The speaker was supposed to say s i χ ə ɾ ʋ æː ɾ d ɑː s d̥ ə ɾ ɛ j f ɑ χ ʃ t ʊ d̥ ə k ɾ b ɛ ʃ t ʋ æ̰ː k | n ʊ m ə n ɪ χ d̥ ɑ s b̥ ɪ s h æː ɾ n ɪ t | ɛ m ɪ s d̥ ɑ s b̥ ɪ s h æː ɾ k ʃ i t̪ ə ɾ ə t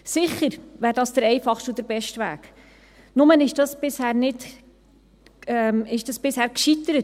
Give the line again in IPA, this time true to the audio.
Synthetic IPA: s ɪ χ ə ɾ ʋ æː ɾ d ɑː s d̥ ə ɾ ɛ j f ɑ χ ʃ t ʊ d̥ ə ɾ b ɛ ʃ t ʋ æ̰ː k | n ʊ m ə n ɪ ʃ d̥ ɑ s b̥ ɪ s h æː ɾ n ɪ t | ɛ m ɪ ʃ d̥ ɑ s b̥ ɪ s h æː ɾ k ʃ i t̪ ə ɾ ə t

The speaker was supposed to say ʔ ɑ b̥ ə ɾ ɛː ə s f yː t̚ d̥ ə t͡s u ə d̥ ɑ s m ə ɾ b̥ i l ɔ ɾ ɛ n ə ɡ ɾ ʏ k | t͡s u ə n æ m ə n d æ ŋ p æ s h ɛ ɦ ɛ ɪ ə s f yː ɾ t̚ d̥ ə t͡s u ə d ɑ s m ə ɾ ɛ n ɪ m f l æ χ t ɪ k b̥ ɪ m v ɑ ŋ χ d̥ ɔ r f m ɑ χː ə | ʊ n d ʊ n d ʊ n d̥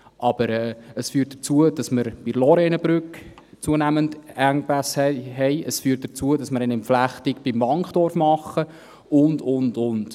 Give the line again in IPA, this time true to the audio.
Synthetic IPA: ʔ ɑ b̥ ə ɾ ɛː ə s f yː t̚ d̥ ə t͡s u ə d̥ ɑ s m ə ɾ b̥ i l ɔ ɾ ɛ n ə b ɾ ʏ k | t͡s u ə n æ m ə n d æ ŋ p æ s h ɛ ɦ ɛ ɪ ə s f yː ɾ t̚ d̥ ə t͡s u ə d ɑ s m ə ɾ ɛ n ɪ m f l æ χ t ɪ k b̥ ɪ m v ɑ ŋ χ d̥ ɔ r f m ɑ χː ə | ʊ n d ʊ n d ʊ n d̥

